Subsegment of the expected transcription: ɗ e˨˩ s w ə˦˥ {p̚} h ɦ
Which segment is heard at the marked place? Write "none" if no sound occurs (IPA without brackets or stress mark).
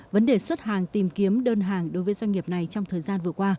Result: t̚